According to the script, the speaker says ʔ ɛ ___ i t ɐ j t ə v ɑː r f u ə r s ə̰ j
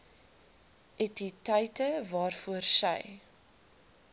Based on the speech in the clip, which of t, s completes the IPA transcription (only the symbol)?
t